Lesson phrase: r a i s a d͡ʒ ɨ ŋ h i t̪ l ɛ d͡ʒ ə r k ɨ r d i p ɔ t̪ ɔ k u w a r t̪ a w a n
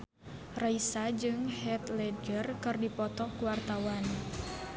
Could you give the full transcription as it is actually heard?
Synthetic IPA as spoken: r a i s a d͡ʒ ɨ ŋ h ɛ t̪ l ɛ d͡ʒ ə r k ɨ r d i p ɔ t̪ ɔ k u w a r t̪ a w a n